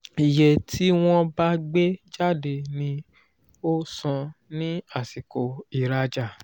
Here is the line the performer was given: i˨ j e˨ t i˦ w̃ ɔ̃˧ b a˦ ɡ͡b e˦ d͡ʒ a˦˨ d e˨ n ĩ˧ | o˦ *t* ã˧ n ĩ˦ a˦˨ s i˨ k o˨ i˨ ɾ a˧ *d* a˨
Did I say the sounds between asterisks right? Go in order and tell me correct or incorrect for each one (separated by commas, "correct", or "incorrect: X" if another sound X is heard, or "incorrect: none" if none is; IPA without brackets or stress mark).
incorrect: s, incorrect: d͡ʒ